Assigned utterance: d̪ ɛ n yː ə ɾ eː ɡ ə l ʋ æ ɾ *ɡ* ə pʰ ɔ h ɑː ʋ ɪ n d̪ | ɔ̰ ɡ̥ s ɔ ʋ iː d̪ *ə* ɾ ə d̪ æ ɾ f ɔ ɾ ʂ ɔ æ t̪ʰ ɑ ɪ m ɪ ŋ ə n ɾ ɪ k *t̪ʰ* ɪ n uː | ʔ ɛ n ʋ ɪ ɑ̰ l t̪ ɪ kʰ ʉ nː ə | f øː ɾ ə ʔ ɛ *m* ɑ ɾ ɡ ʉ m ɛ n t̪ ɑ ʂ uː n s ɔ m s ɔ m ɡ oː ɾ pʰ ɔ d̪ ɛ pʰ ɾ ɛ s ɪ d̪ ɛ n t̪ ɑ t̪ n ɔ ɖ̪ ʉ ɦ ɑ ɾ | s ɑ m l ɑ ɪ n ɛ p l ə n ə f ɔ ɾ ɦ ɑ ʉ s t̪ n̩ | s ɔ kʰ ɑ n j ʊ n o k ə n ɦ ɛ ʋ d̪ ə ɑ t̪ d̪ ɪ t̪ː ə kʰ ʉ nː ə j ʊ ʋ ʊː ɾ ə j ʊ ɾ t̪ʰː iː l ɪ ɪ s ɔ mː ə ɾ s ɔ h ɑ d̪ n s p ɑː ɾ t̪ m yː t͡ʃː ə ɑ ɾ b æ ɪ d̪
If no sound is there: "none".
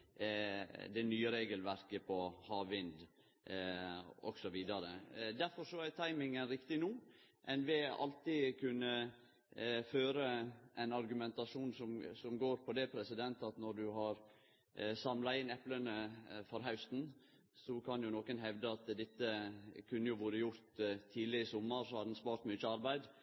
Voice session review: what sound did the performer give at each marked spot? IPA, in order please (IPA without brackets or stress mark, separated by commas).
k, ɑ, t̪, n